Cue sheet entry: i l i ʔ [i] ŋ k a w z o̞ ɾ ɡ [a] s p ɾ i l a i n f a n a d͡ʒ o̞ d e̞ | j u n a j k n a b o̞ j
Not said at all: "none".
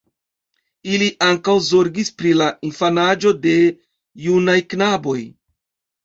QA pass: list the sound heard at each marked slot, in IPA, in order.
a, i

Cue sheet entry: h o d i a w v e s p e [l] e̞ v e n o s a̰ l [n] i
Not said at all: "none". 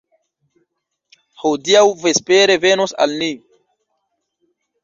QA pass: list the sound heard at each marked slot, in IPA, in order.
ɾ, n

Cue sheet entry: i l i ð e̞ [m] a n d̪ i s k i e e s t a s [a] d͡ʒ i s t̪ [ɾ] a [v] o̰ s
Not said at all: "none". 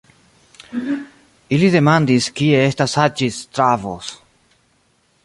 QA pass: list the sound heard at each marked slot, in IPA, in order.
m, a, ɾ, v

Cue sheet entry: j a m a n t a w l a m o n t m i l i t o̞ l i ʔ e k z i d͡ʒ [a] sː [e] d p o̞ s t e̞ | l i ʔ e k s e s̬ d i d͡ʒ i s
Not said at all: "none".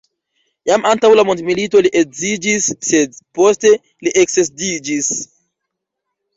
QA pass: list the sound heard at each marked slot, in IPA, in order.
i, e

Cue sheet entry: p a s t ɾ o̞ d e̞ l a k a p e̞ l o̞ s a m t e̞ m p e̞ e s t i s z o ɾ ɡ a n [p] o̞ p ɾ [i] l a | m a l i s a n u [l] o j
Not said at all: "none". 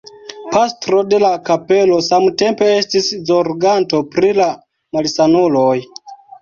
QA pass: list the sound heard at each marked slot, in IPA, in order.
t, i, l

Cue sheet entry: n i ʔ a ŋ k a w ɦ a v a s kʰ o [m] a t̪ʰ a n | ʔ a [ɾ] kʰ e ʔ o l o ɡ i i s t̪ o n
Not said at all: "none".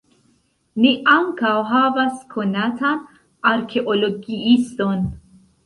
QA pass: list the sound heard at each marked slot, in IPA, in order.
n, ɾ

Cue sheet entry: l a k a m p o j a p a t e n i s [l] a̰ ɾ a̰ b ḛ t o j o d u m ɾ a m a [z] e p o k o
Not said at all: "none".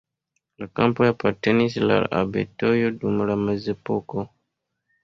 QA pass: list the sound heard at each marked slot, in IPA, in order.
l, z

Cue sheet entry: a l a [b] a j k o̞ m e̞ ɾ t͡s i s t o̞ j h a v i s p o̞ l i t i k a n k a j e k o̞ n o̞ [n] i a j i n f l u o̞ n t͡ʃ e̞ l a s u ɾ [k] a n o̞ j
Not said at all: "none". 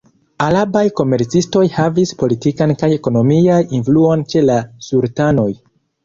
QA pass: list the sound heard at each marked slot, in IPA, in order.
b, m, t

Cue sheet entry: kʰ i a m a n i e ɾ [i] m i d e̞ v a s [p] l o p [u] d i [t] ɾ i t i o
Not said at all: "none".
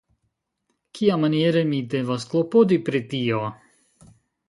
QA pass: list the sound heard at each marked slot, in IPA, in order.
e, k, o, p

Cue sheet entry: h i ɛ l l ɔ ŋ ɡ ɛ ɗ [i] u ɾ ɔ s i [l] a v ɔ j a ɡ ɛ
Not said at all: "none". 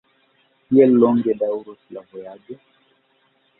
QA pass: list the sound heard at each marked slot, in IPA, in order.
a, l

